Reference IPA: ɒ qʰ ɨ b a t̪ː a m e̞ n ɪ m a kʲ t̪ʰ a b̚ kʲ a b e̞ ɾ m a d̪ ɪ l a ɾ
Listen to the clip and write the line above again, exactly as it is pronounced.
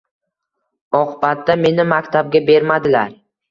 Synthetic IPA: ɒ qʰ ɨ b a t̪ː a m e̞ n ɪ m a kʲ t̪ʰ a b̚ ɡʲ a b e̞ ɾ m a d̪ ɪ l a ɾ